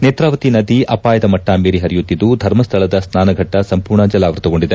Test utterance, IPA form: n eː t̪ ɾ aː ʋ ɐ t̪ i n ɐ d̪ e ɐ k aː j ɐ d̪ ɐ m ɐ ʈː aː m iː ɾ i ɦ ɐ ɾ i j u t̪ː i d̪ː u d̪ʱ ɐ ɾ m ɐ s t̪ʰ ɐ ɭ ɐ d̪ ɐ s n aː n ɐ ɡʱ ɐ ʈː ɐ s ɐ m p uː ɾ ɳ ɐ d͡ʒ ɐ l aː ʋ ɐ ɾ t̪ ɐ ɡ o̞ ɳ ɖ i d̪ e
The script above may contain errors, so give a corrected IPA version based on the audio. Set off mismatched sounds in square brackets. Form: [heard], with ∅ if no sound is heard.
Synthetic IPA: n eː t̪ ɾ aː ʋ ɐ t̪ i n ɐ d̪ [i] ɐ [p] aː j ɐ d̪ ɐ m ɐ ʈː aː m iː ɾ i ɦ ɐ ɾ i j u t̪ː i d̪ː u d̪ʱ ɐ ɾ m ɐ s t̪ʰ ɐ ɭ ɐ d̪ ɐ s n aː n ɐ ɡʱ ɐ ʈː ɐ s ɐ m p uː ɾ ɳ ɐ d͡ʒ ɐ l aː ʋ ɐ ɾ t̪ ɐ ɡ o̞ ɳ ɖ i d̪ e